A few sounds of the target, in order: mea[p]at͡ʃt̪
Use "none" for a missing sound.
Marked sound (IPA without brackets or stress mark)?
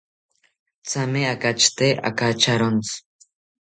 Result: k